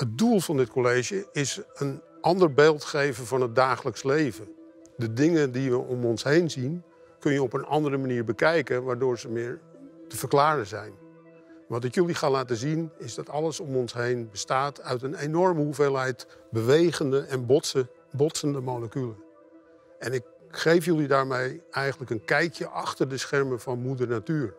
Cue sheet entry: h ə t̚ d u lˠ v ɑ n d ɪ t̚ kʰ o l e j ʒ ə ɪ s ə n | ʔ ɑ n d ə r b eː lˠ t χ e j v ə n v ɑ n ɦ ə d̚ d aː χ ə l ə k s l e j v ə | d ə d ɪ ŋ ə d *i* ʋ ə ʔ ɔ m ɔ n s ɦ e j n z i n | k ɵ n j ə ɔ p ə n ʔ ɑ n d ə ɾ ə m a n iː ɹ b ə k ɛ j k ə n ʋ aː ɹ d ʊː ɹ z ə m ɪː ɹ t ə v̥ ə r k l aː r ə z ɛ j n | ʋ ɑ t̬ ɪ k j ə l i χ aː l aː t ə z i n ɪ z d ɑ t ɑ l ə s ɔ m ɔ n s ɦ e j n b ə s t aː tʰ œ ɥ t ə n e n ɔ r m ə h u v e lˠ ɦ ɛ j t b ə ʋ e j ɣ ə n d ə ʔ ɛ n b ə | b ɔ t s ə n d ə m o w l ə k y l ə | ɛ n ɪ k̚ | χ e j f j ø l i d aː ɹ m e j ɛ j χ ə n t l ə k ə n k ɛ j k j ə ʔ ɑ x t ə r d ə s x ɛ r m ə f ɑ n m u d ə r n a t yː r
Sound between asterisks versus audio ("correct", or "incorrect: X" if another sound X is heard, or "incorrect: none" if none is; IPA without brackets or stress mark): correct